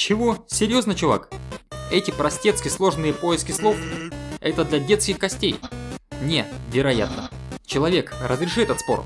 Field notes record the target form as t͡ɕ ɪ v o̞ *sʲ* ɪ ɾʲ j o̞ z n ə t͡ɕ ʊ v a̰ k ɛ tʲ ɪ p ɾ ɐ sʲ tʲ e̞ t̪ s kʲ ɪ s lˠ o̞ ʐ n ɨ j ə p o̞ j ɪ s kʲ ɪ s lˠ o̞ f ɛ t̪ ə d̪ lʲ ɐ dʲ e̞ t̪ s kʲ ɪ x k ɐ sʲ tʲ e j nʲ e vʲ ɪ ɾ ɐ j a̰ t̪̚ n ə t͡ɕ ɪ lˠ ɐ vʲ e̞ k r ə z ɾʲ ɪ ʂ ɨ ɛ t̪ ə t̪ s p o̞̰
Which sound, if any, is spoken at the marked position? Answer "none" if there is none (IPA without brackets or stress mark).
sʲ